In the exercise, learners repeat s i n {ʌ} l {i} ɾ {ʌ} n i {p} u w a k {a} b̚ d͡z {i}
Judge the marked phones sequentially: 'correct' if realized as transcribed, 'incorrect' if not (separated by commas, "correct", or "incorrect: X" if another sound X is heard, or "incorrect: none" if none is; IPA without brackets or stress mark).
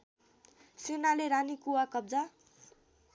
incorrect: a, incorrect: e, incorrect: a, incorrect: k, incorrect: ʌ, incorrect: a